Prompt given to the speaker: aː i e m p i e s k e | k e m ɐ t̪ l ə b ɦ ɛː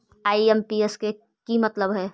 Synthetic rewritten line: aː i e m p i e s k e | k i m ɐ t̪ l ə b ɦ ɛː